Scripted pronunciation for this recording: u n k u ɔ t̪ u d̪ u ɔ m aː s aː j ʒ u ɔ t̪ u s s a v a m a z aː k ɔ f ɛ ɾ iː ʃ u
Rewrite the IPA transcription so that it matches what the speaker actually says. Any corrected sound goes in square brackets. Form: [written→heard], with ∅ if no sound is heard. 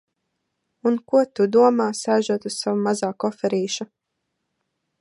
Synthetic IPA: u n k u ɔ t̪ u d̪ u ɔ m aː s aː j ʒ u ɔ t̪ u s s a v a m a z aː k ɔ f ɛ ɾ iː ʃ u